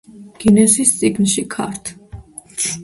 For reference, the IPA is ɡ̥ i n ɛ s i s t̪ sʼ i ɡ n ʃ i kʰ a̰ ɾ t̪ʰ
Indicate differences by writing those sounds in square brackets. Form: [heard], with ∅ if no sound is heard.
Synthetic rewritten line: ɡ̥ i n ɛ s i s t̪ sʼ i ɡ n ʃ i kʰ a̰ ɾ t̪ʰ